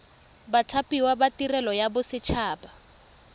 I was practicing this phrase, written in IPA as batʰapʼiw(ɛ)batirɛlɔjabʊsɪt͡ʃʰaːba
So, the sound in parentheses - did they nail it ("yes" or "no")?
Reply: no